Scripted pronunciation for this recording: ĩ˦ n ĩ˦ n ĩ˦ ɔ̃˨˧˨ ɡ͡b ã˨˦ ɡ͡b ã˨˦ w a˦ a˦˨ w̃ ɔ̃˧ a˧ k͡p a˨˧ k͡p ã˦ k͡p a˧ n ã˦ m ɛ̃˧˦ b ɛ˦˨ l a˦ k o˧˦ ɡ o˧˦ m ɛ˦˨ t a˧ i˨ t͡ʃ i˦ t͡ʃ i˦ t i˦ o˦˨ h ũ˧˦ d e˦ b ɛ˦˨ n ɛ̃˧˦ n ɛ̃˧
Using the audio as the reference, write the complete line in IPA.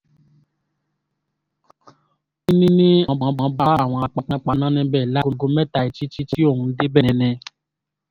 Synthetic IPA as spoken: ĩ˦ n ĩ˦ n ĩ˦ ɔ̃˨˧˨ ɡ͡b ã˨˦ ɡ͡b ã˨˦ b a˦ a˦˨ w̃ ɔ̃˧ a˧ k͡p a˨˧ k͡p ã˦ k͡p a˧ n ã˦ n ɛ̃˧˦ b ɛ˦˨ l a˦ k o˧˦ ɡ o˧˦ m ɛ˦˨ t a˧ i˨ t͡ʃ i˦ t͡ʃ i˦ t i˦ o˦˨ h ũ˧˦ d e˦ b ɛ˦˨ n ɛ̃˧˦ n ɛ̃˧